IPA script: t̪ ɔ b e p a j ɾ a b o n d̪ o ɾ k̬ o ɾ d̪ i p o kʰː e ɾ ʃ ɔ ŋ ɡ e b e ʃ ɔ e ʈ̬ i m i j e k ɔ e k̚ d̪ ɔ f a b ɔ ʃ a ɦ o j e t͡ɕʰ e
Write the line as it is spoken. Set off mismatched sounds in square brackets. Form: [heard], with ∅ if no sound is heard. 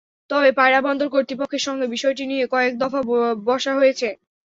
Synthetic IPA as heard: t̪ ɔ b e p a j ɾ a b [ɔ] n d̪ o ɾ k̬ o ɾ [t̪] i p o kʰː e ɾ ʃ ɔ ŋ ɡ e b [i] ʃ ɔ e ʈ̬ i [n] i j e k ɔ e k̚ d̪ ɔ f a b ɔ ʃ a ɦ o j e t͡ɕʰ e